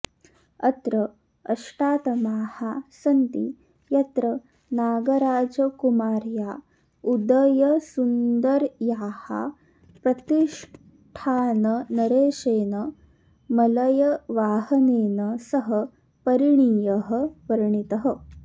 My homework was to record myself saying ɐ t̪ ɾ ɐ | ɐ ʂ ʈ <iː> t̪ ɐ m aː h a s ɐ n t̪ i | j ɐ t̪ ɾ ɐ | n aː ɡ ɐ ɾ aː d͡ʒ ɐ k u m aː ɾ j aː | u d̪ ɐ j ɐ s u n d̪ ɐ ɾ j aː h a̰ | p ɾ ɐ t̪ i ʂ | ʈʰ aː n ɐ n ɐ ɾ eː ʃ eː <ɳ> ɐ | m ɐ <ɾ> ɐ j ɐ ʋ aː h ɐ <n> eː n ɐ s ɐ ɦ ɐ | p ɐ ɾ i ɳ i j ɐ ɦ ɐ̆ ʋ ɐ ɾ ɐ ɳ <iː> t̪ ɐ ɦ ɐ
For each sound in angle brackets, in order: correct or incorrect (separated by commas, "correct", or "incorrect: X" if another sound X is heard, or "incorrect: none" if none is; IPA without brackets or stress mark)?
incorrect: aː, incorrect: n, incorrect: l, correct, incorrect: i